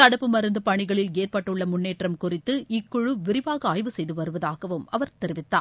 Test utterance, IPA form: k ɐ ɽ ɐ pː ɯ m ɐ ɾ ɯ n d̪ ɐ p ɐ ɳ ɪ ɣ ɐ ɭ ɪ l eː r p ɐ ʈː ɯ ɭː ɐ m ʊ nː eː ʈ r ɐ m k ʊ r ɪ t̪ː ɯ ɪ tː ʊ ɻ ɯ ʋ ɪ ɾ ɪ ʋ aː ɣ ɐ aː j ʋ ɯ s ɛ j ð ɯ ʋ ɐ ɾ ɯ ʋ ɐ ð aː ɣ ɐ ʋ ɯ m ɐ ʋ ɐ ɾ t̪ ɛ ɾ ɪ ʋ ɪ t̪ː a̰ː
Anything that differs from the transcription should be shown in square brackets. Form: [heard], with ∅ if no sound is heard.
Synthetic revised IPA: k ɐ ɽ ɐ pː ɯ m ɐ ɾ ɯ n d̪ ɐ p ɐ ɳ ɪ ɣ ɐ ɭ ɪ l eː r p ɐ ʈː ɯ ɭː ɐ m ʊ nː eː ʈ r ɐ m k ʊ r ɪ t̪ː ɯ ɪ [kː] ʊ ɻ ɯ ʋ ɪ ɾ ɪ ʋ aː ɣ ɐ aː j ʋ ɯ s ɛ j ð ɯ ʋ ɐ ɾ ɯ ʋ ɐ ð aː ɣ ɐ ʋ ɯ m ɐ ʋ ɐ ɾ t̪ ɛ ɾ ɪ ʋ ɪ t̪ː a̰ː